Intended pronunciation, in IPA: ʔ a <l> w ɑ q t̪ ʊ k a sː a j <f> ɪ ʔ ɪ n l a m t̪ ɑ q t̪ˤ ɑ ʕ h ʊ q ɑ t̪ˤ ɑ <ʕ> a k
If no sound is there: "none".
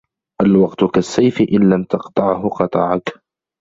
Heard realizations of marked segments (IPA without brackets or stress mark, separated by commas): l, f, ʕ